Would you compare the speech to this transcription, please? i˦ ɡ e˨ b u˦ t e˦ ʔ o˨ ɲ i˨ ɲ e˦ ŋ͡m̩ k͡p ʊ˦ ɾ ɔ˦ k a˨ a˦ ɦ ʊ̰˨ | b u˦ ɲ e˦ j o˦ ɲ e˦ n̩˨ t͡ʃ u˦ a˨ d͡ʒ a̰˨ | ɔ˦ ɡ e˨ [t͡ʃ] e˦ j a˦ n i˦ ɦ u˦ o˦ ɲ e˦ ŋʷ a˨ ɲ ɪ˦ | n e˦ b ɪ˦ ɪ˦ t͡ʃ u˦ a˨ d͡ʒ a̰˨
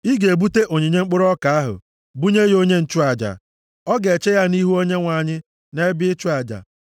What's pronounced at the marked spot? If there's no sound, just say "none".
t͡ʃ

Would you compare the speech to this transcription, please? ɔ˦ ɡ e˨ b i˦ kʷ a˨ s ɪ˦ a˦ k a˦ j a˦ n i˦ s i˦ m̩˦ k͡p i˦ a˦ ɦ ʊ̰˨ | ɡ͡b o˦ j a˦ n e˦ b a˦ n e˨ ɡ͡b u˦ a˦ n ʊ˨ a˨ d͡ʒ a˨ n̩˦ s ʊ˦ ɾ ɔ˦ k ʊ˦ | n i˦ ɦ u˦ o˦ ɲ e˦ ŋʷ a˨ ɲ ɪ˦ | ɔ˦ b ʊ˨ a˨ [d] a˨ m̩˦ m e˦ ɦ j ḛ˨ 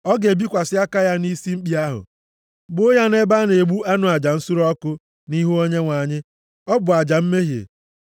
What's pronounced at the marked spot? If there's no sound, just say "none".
d͡ʒ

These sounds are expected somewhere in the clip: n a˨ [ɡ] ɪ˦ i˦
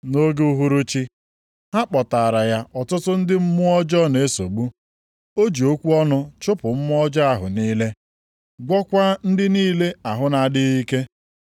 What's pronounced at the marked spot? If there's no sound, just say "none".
d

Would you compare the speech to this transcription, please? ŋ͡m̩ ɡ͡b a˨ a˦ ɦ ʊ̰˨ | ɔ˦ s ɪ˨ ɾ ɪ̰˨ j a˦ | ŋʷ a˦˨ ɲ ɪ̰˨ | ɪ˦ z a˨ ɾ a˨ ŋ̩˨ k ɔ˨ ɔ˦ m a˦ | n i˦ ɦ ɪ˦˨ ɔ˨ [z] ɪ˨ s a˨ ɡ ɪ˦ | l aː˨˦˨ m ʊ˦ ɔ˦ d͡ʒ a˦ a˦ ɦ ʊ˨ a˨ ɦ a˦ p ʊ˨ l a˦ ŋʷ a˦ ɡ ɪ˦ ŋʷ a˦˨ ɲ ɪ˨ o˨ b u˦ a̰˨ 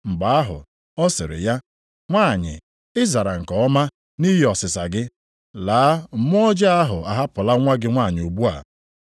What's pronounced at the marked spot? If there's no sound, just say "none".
s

